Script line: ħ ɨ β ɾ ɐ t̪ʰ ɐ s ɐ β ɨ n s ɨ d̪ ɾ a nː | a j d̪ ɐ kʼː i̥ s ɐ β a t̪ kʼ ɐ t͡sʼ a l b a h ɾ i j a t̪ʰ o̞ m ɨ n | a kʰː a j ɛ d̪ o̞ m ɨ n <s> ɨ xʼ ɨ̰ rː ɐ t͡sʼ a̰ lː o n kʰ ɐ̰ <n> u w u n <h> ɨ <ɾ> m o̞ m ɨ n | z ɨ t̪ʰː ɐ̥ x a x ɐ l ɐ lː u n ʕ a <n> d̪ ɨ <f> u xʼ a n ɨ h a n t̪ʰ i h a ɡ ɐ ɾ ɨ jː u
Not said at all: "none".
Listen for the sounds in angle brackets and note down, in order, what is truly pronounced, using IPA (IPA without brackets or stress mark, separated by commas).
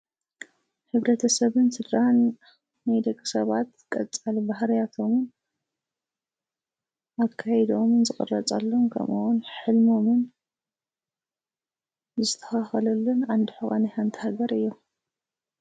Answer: z, m, ħ, l, n, ħ